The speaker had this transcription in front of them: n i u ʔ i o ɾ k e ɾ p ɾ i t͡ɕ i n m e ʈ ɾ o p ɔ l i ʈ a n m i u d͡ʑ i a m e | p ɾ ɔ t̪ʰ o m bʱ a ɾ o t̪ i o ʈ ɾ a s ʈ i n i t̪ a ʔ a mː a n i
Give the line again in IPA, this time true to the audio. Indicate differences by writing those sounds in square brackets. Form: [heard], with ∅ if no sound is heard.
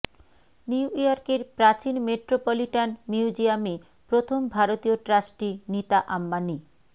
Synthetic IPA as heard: n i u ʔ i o ɾ k e ɾ p ɾ [a] t͡ɕ i n m e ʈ ɾ o p [o] l i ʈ a n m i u d͡ʑ i a m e | p ɾ [o] t̪ʰ o m bʱ a ɾ o t̪ i o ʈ ɾ a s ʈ i n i t̪ a ʔ a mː a n i